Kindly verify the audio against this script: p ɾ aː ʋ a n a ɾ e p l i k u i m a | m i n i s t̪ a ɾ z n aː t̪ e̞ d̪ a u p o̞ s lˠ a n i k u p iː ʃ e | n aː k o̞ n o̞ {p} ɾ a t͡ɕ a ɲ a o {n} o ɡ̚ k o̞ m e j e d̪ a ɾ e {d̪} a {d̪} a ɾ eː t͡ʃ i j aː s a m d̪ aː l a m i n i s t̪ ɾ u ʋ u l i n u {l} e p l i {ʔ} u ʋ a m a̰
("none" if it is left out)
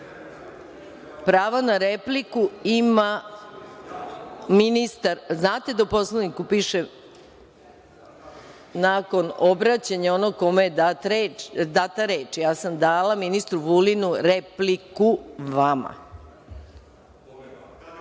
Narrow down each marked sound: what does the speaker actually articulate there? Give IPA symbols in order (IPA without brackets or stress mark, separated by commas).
b, n, d̪, t̪, ɾ, k